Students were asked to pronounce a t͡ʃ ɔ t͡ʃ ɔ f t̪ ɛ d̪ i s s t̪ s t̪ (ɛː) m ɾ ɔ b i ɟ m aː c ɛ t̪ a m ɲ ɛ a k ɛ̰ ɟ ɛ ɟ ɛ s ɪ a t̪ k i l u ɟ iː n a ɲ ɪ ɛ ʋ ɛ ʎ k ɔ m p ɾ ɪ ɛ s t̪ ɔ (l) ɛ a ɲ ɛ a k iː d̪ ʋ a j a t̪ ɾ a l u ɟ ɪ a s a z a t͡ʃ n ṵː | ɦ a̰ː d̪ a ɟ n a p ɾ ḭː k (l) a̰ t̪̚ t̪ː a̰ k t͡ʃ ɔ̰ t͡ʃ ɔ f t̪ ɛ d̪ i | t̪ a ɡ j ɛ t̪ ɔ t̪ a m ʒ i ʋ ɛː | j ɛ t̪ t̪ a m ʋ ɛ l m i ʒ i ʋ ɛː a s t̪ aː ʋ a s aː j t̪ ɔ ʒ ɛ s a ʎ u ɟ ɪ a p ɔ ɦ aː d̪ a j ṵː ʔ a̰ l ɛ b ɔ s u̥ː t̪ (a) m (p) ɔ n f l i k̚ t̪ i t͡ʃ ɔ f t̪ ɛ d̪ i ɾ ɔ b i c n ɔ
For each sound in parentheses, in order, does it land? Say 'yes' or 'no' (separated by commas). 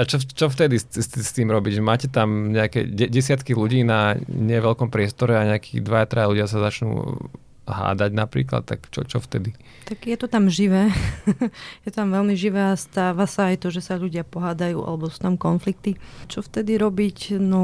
no, no, yes, yes, no